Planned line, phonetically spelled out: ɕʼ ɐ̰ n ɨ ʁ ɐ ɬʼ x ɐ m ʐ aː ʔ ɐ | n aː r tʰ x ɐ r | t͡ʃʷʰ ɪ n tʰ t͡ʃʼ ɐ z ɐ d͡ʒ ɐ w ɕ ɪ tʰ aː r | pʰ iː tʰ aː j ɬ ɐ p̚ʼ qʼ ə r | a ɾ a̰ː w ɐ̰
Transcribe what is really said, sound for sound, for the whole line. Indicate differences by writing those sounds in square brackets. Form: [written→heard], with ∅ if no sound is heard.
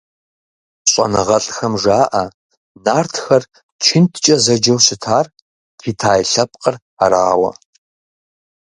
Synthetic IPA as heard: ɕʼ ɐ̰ n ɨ ʁ ɐ ɬʼ x ɐ m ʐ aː ʔ ɐ | n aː r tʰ x ɐ r | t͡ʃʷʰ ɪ n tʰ t͡ʃʼ ɐ z ɐ d͡ʒ ɐ w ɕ ɪ tʰ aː r | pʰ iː tʰ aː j ɬ ɐ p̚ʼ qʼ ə r | a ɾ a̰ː w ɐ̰